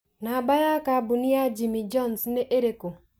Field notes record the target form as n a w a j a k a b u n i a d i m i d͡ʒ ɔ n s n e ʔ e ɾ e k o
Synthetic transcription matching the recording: n a b a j a k a b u n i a d͡ʒ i m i d͡ʒ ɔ n s n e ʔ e ɾ e k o